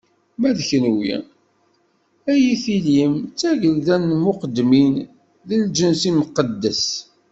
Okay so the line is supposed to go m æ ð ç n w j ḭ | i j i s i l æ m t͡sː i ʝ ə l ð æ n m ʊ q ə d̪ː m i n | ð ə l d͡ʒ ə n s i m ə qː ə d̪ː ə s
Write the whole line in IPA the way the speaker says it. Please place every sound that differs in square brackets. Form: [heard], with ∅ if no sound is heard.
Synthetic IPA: m æ ð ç n w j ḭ | [æ] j i [θ] i l [i] m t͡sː [æ] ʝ ə l ð æ n m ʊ q ə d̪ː m i n | ð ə l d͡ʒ ə n s i m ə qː ə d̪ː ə s